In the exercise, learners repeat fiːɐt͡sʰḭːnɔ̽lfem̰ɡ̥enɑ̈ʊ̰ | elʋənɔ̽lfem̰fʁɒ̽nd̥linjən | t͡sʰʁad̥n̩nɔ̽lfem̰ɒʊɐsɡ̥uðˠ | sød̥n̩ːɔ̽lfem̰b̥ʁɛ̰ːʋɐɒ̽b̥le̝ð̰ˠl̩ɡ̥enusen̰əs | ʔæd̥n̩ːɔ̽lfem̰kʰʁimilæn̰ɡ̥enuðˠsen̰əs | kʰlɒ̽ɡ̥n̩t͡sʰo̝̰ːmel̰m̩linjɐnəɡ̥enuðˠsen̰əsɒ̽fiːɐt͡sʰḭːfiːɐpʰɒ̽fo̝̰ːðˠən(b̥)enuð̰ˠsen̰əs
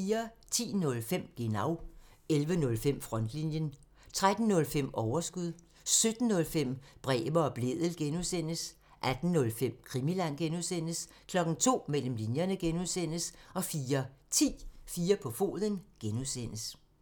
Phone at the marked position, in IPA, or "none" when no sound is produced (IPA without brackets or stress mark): ɡ̥